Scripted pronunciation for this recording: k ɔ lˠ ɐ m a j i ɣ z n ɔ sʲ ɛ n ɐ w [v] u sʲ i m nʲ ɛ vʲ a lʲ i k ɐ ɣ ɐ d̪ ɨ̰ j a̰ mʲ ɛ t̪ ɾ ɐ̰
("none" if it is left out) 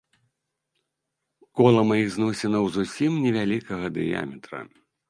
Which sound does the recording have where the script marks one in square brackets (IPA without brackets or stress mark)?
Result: z